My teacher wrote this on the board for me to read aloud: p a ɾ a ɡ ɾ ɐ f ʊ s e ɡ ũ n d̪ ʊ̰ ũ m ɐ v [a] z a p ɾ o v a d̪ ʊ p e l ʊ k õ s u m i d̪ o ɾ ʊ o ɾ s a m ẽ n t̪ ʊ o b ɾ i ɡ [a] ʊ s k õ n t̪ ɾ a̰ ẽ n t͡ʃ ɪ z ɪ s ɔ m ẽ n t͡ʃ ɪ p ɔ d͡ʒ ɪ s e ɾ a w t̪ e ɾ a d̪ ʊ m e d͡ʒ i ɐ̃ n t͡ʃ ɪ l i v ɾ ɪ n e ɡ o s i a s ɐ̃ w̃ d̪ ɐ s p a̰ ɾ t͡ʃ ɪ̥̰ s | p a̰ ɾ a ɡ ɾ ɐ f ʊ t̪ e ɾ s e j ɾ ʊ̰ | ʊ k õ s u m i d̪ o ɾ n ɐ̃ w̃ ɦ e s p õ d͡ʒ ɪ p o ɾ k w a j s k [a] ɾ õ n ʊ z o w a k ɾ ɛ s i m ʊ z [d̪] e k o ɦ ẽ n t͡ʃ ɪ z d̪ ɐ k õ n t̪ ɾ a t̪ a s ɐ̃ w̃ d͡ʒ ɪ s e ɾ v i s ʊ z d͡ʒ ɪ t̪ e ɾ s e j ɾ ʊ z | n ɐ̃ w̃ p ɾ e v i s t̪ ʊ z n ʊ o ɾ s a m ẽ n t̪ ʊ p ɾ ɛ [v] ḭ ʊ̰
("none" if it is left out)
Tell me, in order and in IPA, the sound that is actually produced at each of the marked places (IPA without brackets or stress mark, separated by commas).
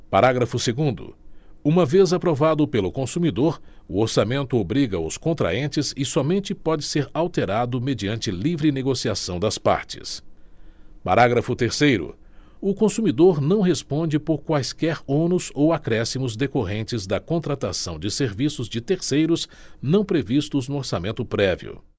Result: e, ɐ, ɛ, d̪, v